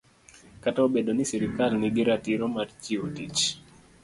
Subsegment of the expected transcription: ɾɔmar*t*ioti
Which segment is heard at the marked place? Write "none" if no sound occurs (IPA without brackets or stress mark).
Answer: t͡ʃ